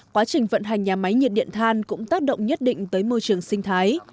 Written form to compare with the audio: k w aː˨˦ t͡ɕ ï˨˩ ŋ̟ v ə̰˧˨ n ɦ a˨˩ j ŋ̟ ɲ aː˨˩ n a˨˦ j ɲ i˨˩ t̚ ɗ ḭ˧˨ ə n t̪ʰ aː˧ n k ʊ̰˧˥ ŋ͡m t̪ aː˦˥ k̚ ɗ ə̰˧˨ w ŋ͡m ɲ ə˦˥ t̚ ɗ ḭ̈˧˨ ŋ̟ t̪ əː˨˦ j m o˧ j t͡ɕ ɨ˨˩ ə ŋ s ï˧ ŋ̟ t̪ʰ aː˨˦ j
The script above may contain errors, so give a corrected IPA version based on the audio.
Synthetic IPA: k w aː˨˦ t͡ɕ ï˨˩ ŋ̟ v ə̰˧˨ n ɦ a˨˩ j ŋ̟ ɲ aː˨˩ m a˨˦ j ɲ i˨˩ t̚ ɗ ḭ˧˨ ə n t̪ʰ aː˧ n k ʊ̰˧˥ ŋ͡m t̪ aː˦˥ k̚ ɗ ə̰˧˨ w ŋ͡m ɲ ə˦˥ t̚ ɗ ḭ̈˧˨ ŋ̟ t̪ əː˨˦ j m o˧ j t͡ɕ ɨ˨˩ ə ŋ s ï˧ ŋ̟ t̪ʰ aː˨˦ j